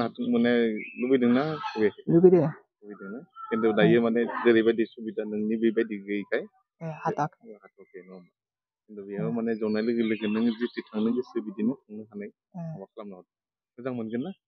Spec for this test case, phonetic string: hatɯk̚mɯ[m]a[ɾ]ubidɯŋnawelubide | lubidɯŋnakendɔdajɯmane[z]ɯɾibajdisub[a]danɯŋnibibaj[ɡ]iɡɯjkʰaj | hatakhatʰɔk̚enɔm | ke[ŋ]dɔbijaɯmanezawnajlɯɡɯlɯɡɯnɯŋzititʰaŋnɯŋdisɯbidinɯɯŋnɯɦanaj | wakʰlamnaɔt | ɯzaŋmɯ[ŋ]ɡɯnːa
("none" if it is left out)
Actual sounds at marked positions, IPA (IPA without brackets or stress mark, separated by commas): n, l, z, i, d, n, n